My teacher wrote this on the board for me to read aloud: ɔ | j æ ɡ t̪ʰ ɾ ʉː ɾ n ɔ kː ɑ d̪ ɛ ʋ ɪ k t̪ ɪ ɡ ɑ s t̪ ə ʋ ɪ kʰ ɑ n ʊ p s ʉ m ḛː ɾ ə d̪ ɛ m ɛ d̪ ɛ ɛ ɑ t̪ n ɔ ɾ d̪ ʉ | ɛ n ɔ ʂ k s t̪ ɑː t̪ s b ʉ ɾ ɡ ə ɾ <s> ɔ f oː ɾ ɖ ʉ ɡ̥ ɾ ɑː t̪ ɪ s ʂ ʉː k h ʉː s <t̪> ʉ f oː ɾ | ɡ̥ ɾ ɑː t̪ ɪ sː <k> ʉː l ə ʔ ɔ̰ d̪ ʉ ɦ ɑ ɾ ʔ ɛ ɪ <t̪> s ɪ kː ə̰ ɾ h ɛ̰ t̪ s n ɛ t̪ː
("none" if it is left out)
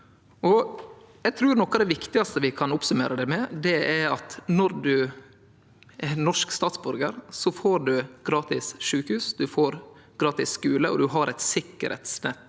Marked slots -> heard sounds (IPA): s, d̪, k, t̪

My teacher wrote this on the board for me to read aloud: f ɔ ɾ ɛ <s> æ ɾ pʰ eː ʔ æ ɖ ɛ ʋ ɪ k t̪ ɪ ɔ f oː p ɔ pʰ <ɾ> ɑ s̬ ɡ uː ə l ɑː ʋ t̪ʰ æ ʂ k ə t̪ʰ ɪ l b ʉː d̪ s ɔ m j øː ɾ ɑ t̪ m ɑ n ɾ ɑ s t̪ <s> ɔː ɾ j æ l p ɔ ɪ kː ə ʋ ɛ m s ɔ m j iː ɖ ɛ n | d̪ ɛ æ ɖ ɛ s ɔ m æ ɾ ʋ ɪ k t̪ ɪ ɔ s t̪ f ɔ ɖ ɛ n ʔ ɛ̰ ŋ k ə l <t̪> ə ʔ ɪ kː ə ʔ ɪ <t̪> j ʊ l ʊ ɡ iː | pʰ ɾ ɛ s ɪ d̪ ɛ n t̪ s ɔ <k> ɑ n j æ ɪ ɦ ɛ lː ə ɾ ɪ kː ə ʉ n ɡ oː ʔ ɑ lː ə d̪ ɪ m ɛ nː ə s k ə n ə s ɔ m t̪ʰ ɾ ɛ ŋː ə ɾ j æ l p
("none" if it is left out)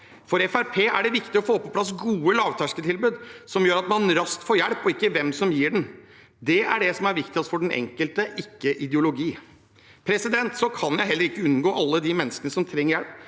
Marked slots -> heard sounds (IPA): f, l, f, t̪, d̪, kʰ

